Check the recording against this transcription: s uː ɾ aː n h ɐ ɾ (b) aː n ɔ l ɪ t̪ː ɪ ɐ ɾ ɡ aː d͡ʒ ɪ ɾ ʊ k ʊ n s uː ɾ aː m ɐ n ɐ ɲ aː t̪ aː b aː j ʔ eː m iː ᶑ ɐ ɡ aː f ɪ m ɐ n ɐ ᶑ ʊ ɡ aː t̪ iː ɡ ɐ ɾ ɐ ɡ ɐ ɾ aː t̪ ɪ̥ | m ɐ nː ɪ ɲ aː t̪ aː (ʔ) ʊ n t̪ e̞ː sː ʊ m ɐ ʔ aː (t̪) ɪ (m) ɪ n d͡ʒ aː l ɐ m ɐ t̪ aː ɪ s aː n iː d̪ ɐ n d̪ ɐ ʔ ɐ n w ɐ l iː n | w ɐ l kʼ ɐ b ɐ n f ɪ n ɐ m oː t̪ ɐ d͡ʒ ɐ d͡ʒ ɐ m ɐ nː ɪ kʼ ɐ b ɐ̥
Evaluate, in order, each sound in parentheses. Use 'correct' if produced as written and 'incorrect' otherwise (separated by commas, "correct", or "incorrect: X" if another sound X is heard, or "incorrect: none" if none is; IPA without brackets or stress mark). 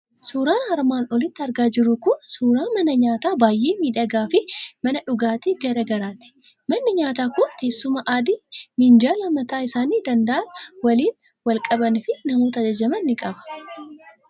incorrect: m, incorrect: k, incorrect: d̪, correct